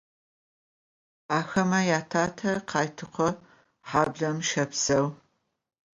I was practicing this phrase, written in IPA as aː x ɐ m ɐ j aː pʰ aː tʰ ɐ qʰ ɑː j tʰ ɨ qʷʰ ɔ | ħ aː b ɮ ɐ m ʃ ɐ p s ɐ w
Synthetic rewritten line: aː x ɐ m ɐ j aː tʰ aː tʰ ɐ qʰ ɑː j tʰ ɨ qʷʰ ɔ | ħ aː b ɮ ɐ m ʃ ɐ p s ɐ w